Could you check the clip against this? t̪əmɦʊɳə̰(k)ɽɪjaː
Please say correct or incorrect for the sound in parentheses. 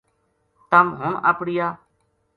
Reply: incorrect